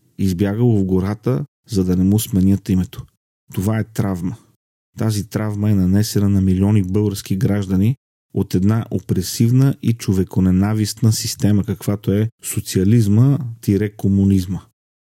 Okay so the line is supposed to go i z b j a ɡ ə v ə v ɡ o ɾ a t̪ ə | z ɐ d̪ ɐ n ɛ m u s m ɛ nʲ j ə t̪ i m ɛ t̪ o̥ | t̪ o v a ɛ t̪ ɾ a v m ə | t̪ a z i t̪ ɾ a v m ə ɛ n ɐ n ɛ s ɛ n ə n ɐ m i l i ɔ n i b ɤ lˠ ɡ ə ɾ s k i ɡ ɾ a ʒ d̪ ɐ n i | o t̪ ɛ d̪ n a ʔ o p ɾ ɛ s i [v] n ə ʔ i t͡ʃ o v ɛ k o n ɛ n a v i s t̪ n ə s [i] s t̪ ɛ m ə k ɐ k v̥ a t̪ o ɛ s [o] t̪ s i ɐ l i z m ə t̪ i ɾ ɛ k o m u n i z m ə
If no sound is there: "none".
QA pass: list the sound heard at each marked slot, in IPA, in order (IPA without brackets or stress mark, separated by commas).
v, i, o